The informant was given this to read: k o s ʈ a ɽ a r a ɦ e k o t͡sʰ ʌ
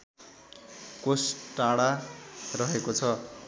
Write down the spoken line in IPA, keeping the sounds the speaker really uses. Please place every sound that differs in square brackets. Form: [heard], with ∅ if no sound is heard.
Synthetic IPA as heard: k o s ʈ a ɽ a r [ʌ] ɦ e k o t͡sʰ ʌ